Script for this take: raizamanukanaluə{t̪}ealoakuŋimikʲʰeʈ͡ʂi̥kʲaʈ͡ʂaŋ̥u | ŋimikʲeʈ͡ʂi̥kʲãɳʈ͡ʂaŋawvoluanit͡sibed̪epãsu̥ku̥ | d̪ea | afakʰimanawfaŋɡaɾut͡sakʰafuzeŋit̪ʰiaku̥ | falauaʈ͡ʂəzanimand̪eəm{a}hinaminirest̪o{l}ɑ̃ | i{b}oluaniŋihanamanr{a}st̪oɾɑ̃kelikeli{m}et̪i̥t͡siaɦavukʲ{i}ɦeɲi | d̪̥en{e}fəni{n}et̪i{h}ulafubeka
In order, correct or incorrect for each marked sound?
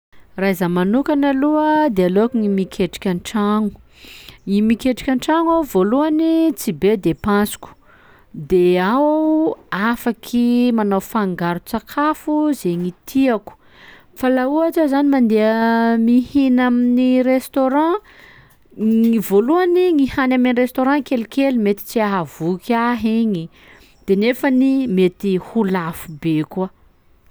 incorrect, incorrect, incorrect, incorrect, incorrect, correct, incorrect, correct, incorrect, correct

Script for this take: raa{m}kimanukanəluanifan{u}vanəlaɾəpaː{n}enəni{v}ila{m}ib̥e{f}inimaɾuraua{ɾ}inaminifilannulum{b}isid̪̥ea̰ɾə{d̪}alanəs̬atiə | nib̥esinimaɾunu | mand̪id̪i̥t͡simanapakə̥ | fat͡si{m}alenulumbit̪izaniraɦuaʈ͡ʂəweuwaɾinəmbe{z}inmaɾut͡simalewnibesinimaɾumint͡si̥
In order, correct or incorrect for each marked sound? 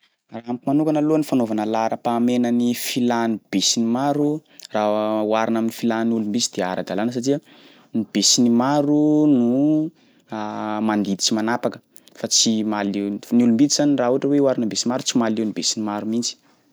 correct, incorrect, incorrect, incorrect, incorrect, incorrect, correct, correct, correct, correct, incorrect

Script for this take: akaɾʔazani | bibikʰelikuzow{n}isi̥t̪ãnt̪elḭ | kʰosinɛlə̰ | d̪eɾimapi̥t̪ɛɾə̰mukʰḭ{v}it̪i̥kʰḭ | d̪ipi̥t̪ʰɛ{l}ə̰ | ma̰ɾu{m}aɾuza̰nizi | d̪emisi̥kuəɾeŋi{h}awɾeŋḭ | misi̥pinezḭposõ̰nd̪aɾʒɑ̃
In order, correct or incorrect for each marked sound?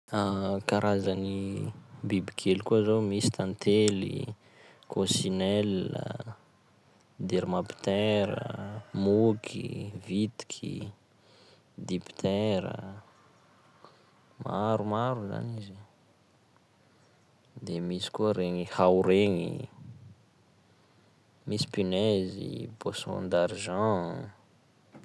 incorrect, correct, incorrect, correct, correct

